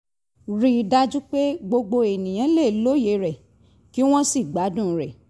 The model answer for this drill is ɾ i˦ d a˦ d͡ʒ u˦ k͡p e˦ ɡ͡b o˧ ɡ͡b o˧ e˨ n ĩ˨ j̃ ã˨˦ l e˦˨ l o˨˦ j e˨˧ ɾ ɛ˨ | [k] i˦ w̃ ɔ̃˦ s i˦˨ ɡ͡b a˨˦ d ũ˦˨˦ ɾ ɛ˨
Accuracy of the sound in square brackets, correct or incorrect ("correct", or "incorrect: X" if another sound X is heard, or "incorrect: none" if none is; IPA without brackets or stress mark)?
correct